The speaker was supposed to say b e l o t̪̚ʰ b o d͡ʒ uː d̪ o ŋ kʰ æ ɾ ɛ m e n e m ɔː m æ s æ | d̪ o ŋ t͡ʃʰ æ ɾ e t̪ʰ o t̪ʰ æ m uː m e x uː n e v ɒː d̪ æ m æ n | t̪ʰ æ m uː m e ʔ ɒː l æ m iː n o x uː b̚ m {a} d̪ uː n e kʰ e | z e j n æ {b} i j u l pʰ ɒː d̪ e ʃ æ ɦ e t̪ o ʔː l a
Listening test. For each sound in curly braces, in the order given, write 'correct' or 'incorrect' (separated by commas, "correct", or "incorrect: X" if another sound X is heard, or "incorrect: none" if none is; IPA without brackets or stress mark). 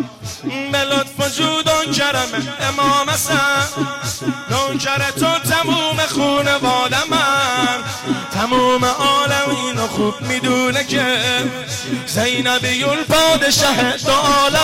incorrect: i, correct